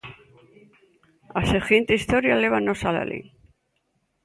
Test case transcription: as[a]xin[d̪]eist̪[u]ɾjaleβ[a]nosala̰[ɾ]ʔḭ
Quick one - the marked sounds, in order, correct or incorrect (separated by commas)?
incorrect, incorrect, incorrect, correct, incorrect